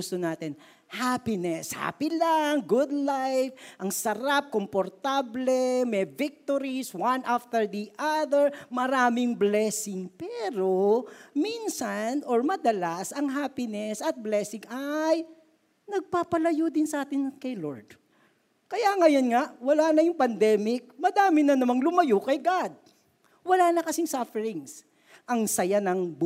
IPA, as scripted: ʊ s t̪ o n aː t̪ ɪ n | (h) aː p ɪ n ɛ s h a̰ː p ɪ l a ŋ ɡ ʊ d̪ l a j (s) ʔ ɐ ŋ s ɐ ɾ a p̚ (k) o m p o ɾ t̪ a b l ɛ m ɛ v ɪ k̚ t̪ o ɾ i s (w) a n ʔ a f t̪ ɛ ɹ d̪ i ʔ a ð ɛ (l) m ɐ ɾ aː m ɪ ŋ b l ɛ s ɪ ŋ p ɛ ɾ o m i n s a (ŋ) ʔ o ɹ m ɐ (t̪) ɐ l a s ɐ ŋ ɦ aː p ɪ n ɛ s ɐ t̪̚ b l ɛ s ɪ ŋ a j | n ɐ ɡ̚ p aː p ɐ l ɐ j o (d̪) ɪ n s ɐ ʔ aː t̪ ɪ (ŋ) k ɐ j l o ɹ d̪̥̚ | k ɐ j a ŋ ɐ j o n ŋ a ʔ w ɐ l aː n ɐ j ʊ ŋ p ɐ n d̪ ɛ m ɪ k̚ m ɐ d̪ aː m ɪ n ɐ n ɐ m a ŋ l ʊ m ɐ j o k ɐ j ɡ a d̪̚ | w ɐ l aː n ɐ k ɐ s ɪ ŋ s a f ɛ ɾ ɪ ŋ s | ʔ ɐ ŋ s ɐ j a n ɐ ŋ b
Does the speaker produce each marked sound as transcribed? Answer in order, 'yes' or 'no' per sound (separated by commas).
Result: yes, no, yes, yes, no, no, no, yes, no